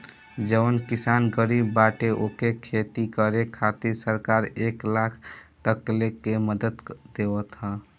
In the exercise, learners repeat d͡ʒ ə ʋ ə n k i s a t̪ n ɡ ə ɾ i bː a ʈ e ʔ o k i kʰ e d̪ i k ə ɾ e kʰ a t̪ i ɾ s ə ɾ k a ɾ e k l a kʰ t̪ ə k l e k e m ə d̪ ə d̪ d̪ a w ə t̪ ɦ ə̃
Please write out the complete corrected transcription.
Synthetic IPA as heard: d͡ʒ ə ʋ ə n k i s a n ɡ ə ɾ i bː a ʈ e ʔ o k e kʰ e t̪ i k ə ɾ e kʰ a t̪ i ɾ s ə ɾ k a ɾ e k l a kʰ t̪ ə k l e k e m ə d̪ ə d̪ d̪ e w ə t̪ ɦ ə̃